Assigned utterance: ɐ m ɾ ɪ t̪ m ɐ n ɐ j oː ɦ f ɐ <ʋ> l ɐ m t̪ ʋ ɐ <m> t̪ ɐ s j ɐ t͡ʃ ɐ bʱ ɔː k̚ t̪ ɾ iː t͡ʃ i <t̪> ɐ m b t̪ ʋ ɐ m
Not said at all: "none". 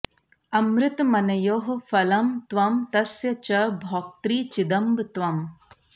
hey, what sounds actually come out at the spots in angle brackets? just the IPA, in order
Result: none, m, d̪

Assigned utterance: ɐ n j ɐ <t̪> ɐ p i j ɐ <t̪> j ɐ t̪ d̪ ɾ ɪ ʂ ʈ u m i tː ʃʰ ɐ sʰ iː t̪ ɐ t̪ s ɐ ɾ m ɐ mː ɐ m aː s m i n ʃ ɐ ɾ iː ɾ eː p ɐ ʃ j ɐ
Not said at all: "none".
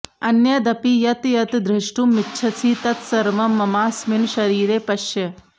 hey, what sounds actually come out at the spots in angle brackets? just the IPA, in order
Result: d̪, t̪

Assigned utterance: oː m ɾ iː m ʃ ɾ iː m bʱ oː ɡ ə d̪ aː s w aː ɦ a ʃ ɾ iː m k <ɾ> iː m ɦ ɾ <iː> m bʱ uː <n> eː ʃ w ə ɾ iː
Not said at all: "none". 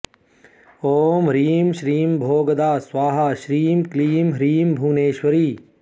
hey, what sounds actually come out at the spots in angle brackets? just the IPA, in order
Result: l, iː, n

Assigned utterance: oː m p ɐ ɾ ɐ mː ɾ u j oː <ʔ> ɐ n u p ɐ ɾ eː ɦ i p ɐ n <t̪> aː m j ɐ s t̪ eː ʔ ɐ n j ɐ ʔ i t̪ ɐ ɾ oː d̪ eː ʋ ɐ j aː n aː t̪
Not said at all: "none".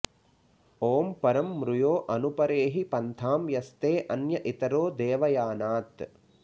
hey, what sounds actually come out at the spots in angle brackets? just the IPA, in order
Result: ʔ, t̪ʰ

